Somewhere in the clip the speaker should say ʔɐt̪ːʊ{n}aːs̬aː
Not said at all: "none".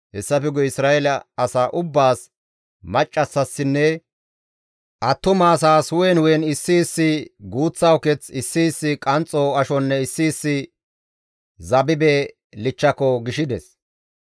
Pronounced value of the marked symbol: m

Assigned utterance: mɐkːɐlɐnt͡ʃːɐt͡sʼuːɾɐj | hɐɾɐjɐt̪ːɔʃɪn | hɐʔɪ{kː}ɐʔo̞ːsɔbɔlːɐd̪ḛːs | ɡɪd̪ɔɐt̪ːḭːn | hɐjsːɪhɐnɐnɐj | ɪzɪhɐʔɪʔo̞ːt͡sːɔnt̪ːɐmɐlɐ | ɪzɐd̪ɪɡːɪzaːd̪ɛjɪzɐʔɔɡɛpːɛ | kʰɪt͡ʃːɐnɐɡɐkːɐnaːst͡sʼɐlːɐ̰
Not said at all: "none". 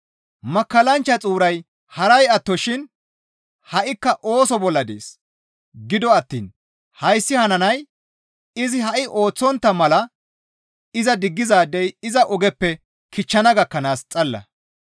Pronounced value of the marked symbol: kː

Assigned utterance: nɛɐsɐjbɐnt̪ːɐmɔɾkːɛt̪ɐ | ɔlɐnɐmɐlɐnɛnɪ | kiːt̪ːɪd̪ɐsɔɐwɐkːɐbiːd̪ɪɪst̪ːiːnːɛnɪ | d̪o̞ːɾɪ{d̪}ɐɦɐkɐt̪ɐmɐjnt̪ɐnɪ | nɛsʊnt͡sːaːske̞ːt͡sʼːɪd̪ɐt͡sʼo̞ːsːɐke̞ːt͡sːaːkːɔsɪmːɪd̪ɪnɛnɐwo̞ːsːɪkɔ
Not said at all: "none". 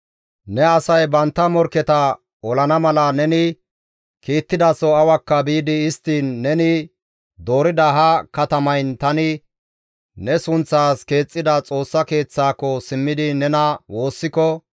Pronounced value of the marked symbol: d̪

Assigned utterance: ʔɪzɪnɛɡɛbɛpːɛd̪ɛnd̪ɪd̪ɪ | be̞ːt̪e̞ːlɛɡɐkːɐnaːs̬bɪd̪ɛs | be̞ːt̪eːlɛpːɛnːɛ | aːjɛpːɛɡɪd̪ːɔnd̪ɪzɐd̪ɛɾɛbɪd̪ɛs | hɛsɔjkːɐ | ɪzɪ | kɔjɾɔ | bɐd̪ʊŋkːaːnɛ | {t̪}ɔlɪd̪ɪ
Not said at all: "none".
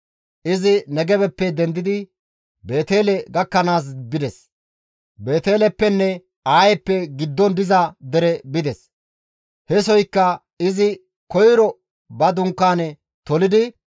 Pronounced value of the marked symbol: t̪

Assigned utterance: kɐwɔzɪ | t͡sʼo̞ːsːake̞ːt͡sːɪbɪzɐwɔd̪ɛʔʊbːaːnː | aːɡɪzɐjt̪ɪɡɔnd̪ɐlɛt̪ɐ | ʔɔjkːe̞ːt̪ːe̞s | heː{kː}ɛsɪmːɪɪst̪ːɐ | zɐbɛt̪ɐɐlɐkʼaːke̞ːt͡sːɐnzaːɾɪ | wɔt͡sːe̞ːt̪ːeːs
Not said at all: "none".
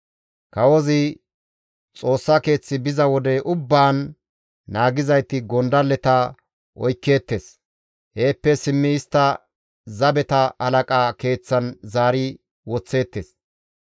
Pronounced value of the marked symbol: pː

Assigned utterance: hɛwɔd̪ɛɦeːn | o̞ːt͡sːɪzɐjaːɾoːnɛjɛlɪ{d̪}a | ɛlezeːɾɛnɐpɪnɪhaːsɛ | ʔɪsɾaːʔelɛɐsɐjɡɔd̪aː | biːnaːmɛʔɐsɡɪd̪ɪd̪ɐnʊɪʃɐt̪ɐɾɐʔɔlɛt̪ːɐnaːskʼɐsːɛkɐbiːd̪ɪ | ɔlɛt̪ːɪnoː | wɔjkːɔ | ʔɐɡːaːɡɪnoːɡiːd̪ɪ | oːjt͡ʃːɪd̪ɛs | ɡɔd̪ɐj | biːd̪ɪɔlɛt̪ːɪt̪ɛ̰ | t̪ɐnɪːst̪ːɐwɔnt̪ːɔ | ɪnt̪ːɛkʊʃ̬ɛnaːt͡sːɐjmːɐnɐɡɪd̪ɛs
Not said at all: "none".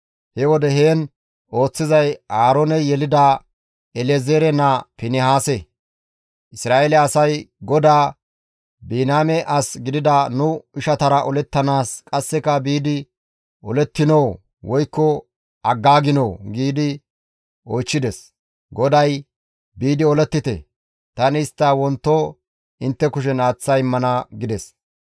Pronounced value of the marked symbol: d̪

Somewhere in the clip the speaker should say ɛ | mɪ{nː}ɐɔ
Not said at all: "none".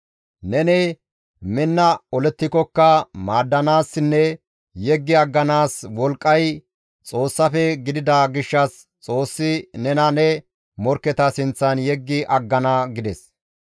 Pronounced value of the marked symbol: nː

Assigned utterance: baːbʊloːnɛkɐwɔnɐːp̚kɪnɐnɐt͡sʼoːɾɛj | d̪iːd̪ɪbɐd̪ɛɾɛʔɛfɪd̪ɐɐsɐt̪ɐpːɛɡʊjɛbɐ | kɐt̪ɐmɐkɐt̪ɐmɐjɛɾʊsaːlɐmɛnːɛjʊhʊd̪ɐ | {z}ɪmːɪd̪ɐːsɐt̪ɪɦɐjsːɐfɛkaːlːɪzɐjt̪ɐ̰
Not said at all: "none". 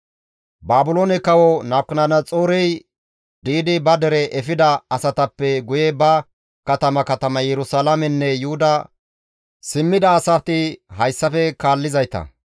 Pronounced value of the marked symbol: s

